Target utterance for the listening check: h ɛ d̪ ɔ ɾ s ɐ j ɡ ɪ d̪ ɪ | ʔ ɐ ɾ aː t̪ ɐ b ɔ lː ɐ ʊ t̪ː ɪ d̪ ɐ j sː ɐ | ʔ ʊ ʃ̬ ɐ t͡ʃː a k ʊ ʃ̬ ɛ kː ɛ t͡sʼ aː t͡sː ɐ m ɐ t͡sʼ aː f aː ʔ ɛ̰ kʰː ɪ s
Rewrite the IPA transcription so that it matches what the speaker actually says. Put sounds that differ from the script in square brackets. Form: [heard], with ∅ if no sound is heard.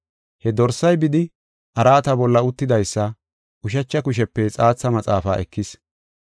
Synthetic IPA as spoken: h ɛ d̪ ɔ ɾ s ɐ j [b] ɪ d̪ ɪ | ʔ ɐ ɾ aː t̪ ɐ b ɔ lː ɐ ʊ t̪ː ɪ d̪ ɐ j sː ɐ | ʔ ʊ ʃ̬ ɐ t͡ʃː [ɐ] k ʊ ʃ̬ ɛ [pː] ɛ t͡sʼ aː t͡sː ɐ m ɐ t͡sʼ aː f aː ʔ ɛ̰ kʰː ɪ s